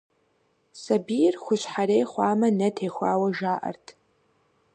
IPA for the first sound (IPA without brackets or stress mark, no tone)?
s